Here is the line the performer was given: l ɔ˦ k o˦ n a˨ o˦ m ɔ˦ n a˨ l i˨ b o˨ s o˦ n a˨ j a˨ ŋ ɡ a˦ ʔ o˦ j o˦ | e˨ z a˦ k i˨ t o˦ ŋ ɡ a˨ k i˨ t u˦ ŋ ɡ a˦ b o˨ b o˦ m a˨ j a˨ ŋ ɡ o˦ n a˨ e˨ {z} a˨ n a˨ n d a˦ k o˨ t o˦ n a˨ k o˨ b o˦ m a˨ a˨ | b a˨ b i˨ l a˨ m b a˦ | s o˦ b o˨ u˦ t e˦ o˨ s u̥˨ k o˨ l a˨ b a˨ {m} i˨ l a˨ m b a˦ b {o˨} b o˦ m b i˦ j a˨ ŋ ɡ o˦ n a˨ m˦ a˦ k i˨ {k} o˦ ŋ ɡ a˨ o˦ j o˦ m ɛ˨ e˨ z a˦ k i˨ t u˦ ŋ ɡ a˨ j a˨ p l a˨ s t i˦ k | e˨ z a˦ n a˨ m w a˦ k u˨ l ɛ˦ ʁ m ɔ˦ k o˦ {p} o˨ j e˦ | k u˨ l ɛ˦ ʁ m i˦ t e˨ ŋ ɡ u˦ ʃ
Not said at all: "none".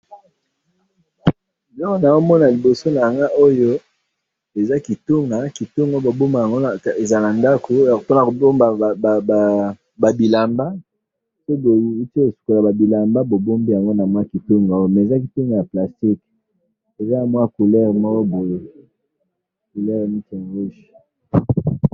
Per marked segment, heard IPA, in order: z, b, o˨, t, b

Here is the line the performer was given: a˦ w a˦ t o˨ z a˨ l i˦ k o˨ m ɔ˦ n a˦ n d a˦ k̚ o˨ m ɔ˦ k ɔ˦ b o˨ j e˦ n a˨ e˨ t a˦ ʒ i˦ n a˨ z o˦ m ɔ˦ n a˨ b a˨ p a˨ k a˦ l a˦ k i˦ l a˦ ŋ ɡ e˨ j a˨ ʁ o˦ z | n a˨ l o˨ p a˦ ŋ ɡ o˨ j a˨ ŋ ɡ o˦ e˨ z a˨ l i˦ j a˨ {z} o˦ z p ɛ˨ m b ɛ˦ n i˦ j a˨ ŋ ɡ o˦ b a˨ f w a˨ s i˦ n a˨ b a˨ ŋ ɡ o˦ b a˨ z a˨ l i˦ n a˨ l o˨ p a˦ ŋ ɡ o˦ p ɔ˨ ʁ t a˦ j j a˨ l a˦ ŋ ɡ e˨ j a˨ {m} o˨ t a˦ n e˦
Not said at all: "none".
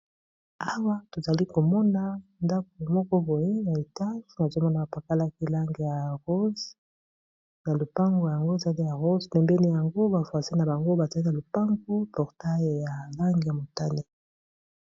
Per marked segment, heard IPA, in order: ʁ, m

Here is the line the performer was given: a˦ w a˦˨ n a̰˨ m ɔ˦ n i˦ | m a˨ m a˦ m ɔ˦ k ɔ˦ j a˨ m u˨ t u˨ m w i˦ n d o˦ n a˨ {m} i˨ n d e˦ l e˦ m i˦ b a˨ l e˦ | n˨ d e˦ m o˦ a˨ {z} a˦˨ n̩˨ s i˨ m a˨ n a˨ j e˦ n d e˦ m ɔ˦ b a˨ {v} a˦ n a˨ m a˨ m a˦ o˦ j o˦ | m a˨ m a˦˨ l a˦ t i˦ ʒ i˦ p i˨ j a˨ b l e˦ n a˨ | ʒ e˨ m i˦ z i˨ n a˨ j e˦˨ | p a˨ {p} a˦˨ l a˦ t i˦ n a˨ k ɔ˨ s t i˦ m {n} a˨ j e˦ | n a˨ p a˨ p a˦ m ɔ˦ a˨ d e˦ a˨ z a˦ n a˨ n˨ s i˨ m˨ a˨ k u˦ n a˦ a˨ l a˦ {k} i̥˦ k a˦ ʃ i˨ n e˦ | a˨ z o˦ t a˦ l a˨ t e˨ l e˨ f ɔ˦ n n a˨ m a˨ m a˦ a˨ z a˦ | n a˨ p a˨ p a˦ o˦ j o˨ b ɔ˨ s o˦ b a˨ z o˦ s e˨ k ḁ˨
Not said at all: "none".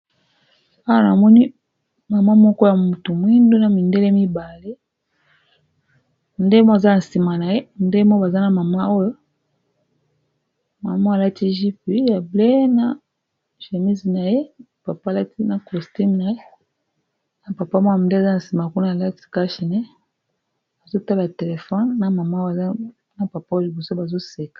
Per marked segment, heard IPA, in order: m, z, z, p, n, t

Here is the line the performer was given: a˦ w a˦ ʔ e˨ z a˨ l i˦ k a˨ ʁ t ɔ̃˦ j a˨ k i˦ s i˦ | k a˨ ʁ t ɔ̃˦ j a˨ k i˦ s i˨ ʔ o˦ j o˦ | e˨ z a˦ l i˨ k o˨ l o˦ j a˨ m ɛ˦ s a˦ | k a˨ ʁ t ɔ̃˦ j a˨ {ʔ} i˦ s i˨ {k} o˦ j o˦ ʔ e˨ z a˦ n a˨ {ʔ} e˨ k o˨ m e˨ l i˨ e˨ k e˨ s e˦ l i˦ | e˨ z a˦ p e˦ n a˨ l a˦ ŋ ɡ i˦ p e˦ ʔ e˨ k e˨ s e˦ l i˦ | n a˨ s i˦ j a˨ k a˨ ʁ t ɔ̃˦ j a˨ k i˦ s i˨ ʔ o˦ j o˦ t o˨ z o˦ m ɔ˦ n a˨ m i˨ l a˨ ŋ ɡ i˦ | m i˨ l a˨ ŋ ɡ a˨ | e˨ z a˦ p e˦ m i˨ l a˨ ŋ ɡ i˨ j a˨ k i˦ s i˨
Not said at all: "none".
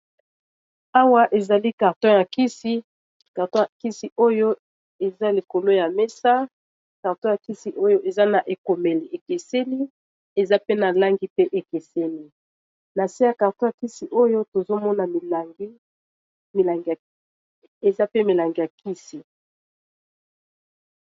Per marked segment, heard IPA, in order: k, ʔ, ʔ

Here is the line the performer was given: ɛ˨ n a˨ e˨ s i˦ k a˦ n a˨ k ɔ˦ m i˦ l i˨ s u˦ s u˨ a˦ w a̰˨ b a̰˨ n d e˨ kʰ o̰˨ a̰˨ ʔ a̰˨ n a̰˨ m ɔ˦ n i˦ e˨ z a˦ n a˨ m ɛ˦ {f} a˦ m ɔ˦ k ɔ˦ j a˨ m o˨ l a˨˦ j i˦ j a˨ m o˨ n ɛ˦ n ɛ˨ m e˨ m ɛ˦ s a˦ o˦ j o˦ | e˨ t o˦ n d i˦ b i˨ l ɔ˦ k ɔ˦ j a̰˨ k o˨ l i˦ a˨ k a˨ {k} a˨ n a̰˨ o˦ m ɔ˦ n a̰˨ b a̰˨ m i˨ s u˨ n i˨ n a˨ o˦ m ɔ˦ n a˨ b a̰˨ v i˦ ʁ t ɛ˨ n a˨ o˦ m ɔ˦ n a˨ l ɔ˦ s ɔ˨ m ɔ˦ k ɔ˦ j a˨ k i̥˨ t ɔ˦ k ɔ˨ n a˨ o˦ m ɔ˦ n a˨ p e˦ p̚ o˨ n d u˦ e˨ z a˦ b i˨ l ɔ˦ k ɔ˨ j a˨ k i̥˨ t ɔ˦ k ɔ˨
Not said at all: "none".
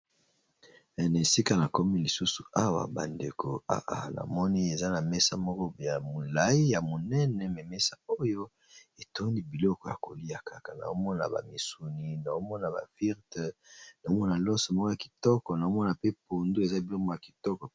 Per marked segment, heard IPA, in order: s, k

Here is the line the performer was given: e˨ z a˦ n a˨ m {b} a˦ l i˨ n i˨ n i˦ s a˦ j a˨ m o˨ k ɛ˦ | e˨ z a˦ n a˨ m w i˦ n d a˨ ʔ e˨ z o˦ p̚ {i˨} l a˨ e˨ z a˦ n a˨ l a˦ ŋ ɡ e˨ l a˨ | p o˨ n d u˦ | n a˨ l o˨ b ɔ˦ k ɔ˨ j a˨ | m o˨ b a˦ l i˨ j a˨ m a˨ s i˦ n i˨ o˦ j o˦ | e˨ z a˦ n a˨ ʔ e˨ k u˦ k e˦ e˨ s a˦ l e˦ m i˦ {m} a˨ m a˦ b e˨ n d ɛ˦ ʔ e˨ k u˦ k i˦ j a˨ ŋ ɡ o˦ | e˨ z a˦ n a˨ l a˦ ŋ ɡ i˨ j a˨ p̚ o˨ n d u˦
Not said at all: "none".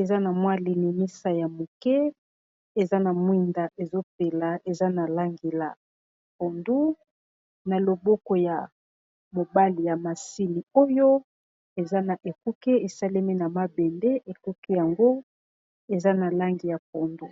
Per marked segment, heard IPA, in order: w, e˨, n

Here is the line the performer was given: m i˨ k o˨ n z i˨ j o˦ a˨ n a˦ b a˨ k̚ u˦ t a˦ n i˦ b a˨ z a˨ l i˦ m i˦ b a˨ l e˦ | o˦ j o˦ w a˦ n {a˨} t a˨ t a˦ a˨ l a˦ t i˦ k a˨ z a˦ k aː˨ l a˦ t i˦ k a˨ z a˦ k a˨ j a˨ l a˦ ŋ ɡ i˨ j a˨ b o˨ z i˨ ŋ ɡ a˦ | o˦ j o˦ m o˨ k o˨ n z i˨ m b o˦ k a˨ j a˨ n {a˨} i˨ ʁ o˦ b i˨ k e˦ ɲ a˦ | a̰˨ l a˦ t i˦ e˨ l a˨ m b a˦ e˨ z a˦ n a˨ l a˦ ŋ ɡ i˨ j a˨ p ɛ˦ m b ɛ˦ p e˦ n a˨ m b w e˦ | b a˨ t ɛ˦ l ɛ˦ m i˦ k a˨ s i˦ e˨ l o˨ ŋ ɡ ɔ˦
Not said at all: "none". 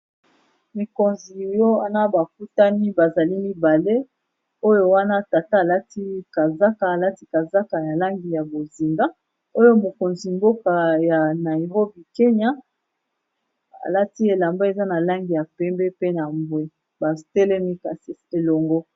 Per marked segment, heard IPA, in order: a˦, a˨

